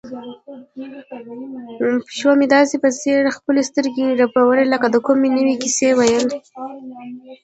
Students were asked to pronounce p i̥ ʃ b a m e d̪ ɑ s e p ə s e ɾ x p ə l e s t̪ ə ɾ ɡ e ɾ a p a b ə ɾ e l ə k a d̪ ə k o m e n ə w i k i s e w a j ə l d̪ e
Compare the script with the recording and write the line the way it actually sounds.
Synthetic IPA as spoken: p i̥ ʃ w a m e d̪ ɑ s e p ə s e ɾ x p ə l e s t̪ ə ɾ ɡ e ɾ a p a w ə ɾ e l ə k a d̪ ə k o m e n ə w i k i s e w a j ə l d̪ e